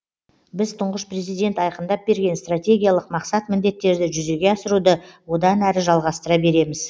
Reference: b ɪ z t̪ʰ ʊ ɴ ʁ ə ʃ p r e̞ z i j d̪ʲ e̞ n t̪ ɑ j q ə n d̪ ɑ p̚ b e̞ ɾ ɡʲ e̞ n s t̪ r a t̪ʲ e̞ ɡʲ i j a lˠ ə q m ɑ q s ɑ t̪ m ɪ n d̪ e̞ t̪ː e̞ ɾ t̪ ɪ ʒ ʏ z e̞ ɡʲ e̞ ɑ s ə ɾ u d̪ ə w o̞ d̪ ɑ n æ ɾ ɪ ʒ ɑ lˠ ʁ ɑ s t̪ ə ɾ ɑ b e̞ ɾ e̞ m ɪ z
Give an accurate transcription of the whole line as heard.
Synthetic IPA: b ɪ z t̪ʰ ʊ ɴ ʁ ə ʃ p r e̞ z i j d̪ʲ e̞ n t̪ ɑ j q ə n d̪ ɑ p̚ b e̞ ɾ ɡʲ e̞ n s t̪ r a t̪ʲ e̞ ɡʲ i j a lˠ ə q m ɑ q s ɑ t̪ m ɪ n d̪ e̞ t̪ː e̞ ɾ d̪ ɪ ʒ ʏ z e̞ ɡʲ e̞ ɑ s ə ɾ u d̪ ə w o̞ d̪ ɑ n æ ɾ ɪ ʒ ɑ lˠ ʁ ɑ s t̪ ə ɾ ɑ b e̞ ɾ e̞ m ɪ z